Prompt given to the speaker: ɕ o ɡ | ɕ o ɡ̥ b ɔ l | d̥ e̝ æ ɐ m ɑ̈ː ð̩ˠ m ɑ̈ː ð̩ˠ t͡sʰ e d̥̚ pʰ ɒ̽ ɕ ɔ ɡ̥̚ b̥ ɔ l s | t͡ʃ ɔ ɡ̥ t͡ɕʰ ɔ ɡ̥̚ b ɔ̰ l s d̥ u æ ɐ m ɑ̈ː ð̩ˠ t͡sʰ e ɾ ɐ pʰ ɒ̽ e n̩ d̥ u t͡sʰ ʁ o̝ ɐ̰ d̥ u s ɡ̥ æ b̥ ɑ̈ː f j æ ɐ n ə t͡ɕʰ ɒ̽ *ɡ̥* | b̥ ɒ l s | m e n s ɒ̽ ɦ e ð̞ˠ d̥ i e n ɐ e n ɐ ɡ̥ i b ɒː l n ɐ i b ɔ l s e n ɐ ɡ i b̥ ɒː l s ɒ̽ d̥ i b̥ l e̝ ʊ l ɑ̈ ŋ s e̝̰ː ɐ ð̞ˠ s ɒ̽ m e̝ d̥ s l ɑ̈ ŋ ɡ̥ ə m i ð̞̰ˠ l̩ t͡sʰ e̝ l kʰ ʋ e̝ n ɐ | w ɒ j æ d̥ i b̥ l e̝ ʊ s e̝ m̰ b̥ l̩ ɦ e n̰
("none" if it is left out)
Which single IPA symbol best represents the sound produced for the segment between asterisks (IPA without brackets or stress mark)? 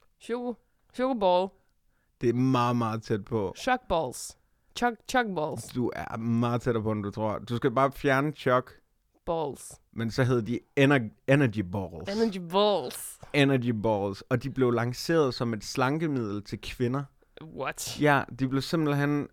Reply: ɡ̥